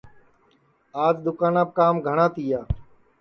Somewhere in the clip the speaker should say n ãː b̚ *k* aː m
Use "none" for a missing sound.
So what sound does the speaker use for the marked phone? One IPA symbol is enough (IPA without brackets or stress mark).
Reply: k